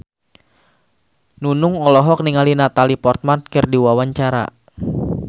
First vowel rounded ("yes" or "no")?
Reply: yes